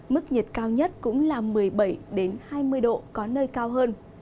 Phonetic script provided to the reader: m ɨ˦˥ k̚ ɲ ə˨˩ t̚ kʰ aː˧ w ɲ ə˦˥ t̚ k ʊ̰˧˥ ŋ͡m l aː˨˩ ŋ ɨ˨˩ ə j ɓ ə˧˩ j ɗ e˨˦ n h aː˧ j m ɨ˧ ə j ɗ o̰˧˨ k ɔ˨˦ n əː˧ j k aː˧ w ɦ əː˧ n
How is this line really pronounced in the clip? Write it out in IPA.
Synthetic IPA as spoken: m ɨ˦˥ k̚ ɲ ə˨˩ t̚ k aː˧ w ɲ ə˦˥ t̚ k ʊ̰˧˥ ŋ͡m l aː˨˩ m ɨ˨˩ ə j ɓ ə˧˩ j ɗ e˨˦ n h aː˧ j m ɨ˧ ə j ɗ o̰˧˨ k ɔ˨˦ n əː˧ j k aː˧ w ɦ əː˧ n

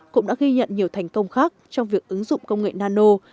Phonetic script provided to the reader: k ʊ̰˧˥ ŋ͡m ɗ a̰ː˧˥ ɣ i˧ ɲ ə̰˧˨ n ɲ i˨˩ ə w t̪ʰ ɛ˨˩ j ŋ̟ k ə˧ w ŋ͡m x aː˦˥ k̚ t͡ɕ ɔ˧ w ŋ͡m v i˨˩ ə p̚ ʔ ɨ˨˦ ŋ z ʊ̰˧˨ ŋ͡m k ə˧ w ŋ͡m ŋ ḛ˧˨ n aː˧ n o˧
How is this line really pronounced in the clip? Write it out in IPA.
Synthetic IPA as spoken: k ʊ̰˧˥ ŋ͡m ɗ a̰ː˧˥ ɣ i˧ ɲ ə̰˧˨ n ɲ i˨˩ ə w t̪ʰ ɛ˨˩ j ŋ̟ k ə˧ w ŋ͡m x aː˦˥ k̚ t͡ɕ ɔ˧ w ŋ͡m v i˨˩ ə k̚ ʔ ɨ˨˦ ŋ z ʊ̰˧˨ ŋ͡m k ə˧ w ŋ͡m ŋ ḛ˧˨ n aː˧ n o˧

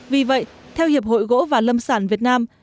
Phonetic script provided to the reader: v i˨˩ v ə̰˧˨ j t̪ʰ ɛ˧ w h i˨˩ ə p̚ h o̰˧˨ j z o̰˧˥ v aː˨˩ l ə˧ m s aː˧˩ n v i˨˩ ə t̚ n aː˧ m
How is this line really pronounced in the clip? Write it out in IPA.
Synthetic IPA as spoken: v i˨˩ v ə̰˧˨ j t̪ʰ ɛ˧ w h i˨˩ ə p̚ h o̰˧˨ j ɣ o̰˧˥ v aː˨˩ l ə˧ m s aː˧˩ n v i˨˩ ə t̚ n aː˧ m

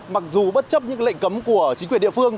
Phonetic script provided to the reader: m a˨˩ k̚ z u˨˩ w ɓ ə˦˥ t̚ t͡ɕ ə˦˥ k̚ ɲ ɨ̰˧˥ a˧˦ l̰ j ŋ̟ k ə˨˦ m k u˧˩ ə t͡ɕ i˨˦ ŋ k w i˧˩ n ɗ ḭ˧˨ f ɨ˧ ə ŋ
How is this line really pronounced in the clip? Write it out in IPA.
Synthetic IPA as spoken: m a˨˩ k̚ z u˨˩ ɓ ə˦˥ t̚ t͡ɕ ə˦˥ p̚ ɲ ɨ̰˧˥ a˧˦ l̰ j ŋ̟ k ə˨˦ m k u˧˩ ə t͡ɕ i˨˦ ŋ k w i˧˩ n ɗ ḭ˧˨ f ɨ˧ ə ŋ

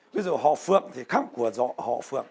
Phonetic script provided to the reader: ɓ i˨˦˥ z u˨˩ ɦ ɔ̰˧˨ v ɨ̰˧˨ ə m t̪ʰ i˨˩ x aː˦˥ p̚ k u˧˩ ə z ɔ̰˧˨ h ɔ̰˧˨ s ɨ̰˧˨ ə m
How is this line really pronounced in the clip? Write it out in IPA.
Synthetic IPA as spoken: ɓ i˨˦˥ z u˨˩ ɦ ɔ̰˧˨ f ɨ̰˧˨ ə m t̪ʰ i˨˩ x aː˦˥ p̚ k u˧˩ ə z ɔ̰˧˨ h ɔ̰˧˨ f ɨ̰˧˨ ə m

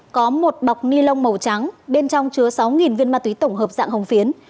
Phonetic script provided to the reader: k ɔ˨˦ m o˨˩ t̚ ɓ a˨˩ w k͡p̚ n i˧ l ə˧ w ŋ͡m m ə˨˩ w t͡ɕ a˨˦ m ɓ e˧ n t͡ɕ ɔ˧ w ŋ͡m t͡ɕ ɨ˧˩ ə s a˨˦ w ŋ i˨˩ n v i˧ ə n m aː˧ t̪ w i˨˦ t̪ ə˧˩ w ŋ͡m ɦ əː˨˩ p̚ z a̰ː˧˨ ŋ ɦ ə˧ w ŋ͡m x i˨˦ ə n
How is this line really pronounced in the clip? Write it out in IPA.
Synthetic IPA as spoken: k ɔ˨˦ m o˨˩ t̚ ɓ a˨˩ w k͡p̚ n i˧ l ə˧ w ŋ͡m m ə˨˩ w t͡ɕ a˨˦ ŋ ɓ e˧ n t͡ɕ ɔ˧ w ŋ͡m t͡ɕ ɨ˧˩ ə s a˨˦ w ŋ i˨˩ n v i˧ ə n m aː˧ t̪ w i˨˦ t̪ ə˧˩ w ŋ͡m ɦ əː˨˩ p̚ z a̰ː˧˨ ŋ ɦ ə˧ w ŋ͡m f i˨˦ ə n

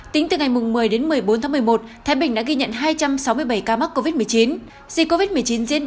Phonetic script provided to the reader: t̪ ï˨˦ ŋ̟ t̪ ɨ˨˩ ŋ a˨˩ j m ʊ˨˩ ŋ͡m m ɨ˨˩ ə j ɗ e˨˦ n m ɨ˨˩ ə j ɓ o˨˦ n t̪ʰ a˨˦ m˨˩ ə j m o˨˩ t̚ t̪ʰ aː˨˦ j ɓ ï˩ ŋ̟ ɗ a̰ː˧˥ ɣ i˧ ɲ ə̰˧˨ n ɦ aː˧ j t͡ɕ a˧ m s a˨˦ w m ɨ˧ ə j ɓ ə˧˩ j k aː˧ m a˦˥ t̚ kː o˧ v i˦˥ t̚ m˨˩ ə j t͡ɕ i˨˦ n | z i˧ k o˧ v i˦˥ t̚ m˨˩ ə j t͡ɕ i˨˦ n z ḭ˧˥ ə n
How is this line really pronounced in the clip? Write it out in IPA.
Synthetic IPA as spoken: t̪ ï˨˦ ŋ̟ t̪ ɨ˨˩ ŋ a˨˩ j m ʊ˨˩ ŋ͡m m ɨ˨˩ ə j ɗ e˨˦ n m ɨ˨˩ ə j ɓ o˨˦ n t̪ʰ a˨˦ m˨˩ ə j m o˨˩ t̚ t̪ʰ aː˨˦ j ɓ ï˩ ŋ̟ ɗ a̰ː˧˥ ɣ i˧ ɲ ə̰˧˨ n ɦ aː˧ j t͡ɕ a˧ m s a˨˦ w m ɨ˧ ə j ɓ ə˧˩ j k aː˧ m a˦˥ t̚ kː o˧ v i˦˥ t̚ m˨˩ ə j t͡ɕ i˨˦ n | z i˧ k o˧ v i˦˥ t̚ m˨˩ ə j t͡ɕ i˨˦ n z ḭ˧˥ ə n

